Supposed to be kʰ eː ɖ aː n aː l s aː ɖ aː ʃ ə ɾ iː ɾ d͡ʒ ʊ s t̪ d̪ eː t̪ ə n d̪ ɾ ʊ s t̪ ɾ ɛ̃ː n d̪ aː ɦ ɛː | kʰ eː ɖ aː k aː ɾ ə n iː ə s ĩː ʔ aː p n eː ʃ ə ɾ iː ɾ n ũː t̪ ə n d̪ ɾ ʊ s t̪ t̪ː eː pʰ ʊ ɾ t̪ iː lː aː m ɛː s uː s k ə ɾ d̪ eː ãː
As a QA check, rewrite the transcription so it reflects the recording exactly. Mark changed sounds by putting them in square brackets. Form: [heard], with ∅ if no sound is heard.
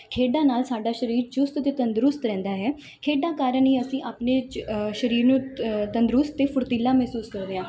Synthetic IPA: kʰ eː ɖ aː n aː l s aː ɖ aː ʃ ə ɾ iː ɾ d͡ʒ ʊ s t̪ [t̪] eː t̪ ə n d̪ ɾ ʊ s t̪ ɾ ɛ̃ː n d̪ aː ɦ ɛː | kʰ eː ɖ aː k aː ɾ ə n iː ə s ĩː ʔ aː p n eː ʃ ə ɾ iː ɾ n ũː t̪ ə n d̪ ɾ ʊ s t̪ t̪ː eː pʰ ʊ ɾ t̪ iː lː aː m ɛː s uː s k ə ɾ d̪ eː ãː

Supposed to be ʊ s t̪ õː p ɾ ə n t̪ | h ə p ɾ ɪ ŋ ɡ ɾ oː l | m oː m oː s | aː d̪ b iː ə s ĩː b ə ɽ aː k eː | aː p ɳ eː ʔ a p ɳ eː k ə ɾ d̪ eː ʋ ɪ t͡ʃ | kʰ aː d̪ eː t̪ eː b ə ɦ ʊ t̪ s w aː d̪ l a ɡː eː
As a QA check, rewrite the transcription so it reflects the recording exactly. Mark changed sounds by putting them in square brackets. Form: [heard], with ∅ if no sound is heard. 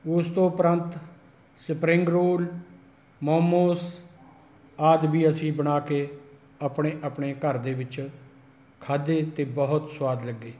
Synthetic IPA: ʊ s t̪ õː p ɾ ə n t̪ | [s] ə p ɾ ɪ ŋ ɡ ɾ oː l | m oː m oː s | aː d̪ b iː ə s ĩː b ə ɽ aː k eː | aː p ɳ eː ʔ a p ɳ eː k ə ɾ d̪ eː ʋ ɪ t͡ʃ | kʰ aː d̪ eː t̪ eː b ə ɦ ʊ t̪ s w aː d̪ l [ə] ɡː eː

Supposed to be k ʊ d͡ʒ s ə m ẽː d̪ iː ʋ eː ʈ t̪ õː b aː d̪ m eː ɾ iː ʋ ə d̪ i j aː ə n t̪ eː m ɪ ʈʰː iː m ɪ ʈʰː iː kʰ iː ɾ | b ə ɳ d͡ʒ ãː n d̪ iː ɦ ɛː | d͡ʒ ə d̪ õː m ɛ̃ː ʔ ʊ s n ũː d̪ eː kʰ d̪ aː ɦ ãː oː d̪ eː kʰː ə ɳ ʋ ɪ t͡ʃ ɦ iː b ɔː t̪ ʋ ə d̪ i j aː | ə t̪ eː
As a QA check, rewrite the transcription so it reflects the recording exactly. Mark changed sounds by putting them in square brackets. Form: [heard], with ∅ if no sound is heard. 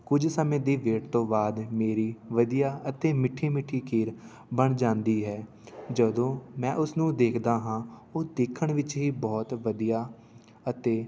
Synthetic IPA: k ʊ d͡ʒ s ə m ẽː d̪ iː ʋ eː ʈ t̪ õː b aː d̪ m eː ɾ iː ʋ ə d̪ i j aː ə [∅] t̪ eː m ɪ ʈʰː iː m ɪ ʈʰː iː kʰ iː ɾ | b ə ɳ d͡ʒ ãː n d̪ iː ɦ ɛː | d͡ʒ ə d̪ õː m ɛ̃ː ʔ ʊ s n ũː d̪ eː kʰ d̪ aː ɦ ãː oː d̪ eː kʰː ə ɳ ʋ ɪ t͡ʃ ɦ iː b ɔː t̪ ʋ ə d̪ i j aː | ə t̪ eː

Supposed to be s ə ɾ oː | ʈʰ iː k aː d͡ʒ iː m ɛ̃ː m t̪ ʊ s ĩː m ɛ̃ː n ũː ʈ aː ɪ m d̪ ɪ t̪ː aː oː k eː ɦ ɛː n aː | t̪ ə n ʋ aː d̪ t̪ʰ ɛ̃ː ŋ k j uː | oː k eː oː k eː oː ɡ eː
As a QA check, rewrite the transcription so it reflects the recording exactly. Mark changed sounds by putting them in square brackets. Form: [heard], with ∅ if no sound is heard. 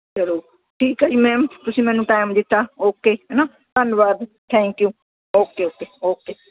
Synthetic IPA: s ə ɾ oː | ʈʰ iː k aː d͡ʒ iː m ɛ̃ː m t̪ ʊ s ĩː m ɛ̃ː n ũː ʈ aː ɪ m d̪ ɪ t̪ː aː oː k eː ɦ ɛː n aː | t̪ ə n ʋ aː d̪ t̪ʰ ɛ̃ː ŋ k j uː | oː k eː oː k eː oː [k] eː

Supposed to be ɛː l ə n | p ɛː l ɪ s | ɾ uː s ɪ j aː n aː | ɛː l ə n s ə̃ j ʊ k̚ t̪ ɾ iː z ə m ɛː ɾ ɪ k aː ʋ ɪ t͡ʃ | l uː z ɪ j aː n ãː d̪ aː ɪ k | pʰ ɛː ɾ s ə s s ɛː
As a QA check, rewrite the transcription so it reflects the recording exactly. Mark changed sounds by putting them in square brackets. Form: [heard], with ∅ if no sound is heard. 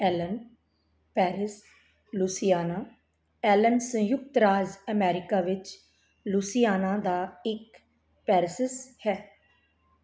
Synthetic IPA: ɛː l ə n | p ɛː [ɾ] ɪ s | [l] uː s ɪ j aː n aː | ɛː l ə n s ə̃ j ʊ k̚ t̪ ɾ [aː] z ə m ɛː ɾ ɪ k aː ʋ ɪ t͡ʃ | l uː [s] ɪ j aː n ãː d̪ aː ɪ k | [p] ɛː ɾ s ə s [h] ɛː

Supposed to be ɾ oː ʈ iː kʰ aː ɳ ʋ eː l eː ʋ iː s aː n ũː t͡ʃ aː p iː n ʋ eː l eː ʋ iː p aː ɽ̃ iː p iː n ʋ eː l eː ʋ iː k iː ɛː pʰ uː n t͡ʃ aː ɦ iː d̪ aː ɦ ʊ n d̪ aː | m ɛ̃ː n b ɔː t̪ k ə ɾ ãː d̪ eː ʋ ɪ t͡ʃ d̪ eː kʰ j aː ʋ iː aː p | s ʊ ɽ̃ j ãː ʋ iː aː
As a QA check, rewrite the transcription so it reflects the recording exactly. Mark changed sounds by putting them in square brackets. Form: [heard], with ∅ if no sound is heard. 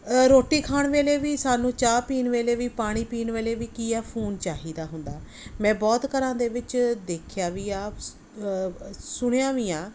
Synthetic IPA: ɾ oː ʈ iː kʰ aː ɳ ʋ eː l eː ʋ iː s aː n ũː t͡ʃ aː p iː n ʋ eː l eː ʋ iː p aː ɽ̃ iː p iː n ʋ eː l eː ʋ iː k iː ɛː pʰ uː n t͡ʃ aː ɦ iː d̪ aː ɦ ʊ n d̪ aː | m ɛ̃ː [∅] b ɔː t̪ k ə ɾ ãː d̪ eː ʋ ɪ t͡ʃ d̪ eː kʰ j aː ʋ iː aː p | s ʊ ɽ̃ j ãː ʋ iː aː

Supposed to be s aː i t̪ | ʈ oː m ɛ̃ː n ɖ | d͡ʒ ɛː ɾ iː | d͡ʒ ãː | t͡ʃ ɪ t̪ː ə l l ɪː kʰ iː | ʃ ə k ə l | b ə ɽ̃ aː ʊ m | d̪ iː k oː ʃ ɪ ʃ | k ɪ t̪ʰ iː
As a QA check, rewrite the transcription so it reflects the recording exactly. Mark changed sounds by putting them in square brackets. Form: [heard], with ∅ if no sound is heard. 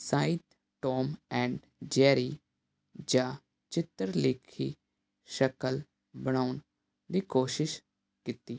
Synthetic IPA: s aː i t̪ | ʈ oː m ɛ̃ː [ɳ] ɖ | d͡ʒ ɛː ɾ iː | d͡ʒ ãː | t͡ʃ ɪ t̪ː ə [ɾ] l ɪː kʰ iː | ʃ ə k ə l | b ə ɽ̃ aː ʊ [n] | d̪ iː k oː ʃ ɪ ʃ | k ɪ [t̪] iː

